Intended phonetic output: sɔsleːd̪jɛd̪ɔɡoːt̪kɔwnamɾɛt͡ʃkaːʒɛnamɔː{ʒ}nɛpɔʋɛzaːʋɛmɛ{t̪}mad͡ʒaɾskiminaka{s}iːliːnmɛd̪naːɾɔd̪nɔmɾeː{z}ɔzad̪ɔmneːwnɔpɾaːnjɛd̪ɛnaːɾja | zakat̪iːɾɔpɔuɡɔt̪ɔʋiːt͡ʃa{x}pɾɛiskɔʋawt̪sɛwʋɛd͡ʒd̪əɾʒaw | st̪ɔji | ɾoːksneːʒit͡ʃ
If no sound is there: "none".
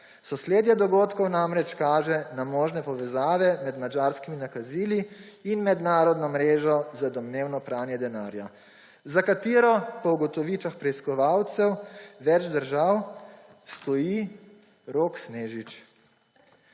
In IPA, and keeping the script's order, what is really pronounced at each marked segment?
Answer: ʒ, d̪, z, ʒ, x

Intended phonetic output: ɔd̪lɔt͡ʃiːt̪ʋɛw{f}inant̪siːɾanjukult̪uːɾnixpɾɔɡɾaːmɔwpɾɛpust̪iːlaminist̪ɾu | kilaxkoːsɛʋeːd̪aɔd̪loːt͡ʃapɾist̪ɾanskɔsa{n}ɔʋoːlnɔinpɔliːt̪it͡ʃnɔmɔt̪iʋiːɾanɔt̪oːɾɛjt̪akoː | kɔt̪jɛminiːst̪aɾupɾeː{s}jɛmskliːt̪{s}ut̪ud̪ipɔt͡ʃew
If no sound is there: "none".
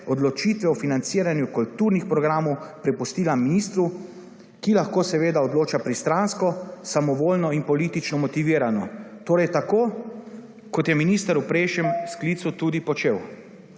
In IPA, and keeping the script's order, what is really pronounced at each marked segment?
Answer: f, m, ʃ, s

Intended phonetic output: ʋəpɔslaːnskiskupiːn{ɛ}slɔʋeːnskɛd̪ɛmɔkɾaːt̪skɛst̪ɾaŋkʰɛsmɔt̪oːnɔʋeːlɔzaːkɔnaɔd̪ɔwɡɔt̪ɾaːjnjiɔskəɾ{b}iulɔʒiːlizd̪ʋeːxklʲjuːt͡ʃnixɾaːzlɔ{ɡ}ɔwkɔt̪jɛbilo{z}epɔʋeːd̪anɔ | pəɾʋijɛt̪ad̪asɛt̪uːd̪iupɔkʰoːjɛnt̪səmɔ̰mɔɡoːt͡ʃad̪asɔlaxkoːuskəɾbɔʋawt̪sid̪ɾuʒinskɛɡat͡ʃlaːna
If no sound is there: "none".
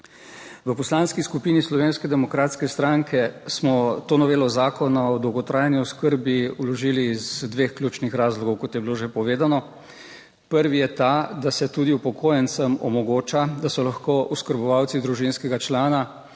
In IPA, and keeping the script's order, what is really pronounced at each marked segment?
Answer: i, b, ɡ, ʒ

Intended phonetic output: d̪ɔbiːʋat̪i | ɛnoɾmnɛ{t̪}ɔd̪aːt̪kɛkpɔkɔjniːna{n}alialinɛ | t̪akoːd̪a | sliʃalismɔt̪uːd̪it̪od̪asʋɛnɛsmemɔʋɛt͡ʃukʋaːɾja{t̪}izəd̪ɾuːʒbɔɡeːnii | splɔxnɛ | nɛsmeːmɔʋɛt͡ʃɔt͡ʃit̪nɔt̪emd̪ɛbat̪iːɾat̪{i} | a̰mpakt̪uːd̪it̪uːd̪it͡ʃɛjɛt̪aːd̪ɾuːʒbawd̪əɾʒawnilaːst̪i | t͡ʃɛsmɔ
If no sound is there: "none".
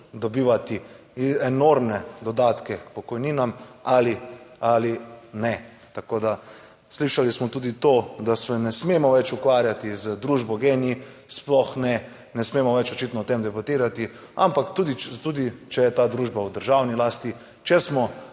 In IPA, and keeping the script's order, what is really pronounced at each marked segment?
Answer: d̪, m, t̪, i

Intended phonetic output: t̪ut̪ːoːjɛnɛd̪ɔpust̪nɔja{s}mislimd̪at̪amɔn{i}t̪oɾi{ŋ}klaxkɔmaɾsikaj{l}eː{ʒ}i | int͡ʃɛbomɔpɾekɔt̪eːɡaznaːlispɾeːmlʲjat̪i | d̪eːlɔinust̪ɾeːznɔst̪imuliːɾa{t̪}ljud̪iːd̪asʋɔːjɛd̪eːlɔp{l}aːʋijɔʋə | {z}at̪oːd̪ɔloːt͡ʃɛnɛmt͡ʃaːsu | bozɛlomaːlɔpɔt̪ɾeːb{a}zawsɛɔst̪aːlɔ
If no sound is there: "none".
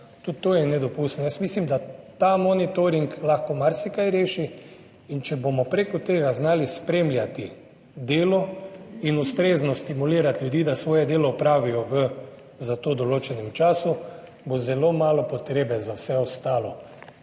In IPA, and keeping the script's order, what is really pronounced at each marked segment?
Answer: s, i, ŋ, ɾ, ʃ, t̪, ɾ, z, ɛ

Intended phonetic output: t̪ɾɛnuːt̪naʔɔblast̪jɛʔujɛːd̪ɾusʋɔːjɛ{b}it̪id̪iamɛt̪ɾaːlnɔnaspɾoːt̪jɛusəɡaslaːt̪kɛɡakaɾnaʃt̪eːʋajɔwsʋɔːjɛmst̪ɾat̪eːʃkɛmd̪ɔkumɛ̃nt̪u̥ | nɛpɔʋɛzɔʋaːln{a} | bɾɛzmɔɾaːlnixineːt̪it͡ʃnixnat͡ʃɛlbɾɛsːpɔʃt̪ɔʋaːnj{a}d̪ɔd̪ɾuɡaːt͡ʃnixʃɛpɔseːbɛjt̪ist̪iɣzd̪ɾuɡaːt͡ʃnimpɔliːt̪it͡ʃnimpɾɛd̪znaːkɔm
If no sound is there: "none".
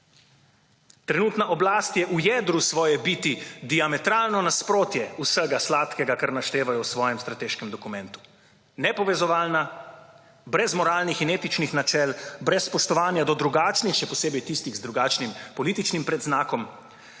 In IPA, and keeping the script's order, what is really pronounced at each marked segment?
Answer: b, a, a

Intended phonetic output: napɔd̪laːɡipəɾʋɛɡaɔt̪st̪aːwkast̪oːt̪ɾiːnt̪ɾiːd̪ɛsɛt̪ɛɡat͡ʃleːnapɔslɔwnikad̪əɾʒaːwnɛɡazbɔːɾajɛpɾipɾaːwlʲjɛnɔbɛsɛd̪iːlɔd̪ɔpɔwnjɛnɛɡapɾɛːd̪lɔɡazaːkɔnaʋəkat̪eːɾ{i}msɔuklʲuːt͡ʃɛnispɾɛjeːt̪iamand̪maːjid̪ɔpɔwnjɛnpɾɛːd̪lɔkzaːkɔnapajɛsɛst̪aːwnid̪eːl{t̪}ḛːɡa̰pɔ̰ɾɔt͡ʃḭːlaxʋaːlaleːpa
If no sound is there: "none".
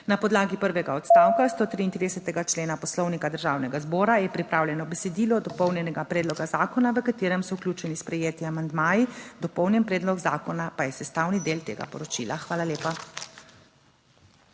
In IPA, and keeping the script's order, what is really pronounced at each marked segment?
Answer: ɛ, t̪

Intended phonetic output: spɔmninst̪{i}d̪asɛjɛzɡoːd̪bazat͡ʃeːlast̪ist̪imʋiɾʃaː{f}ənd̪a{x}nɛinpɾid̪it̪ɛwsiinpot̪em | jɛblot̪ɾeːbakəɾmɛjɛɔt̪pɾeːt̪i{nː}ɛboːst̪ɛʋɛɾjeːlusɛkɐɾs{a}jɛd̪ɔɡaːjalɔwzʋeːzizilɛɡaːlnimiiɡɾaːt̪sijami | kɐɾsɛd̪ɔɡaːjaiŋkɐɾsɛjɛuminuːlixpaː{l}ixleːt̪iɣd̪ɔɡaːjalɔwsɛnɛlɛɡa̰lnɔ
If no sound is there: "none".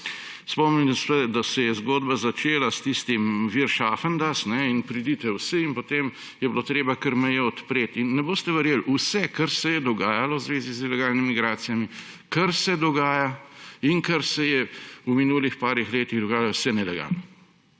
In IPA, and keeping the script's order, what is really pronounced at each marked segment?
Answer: ɛ, f, s, nː, ɛ, ɾ

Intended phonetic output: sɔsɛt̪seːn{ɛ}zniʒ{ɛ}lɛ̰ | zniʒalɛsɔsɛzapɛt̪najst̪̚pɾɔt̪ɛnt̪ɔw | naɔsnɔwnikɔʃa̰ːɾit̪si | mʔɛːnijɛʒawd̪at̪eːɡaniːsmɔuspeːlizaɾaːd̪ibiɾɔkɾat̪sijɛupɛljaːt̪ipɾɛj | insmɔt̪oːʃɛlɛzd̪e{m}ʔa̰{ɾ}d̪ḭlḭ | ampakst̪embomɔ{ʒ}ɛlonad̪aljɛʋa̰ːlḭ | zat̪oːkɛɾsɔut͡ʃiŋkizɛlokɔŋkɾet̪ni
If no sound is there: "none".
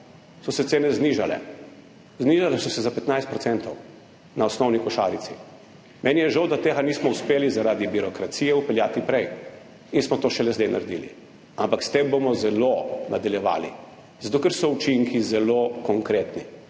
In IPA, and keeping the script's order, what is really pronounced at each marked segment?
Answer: ɛ, a, n, ɾ, z

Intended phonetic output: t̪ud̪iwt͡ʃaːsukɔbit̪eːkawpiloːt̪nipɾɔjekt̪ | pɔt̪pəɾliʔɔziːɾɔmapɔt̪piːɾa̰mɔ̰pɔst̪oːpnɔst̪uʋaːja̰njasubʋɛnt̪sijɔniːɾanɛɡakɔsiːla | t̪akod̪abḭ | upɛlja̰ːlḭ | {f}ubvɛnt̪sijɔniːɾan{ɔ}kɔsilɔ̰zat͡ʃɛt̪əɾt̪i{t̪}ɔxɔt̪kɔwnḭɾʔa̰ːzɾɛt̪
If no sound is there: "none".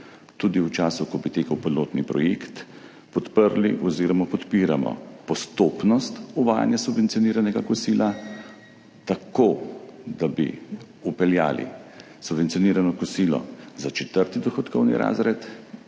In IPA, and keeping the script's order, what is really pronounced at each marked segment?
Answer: s, ɔ, d̪

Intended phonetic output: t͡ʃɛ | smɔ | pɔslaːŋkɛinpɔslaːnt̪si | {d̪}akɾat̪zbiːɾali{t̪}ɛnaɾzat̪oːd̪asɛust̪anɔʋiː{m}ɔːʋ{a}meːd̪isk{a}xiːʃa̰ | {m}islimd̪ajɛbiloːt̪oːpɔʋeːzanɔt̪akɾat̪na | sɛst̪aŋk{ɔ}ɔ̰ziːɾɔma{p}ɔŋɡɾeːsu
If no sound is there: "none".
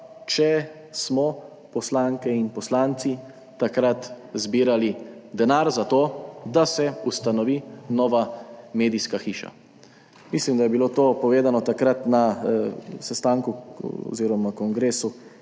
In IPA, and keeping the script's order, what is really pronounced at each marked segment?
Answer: t̪, d̪, n, a, a, m, u, k

